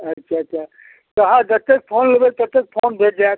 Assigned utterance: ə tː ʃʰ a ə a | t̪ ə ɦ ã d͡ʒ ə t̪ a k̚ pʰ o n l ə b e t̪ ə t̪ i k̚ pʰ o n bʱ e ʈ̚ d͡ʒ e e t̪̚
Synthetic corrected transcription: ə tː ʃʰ a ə a | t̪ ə ɦ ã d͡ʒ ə t̪ e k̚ pʰ o n l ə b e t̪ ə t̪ e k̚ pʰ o n bʱ e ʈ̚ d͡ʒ a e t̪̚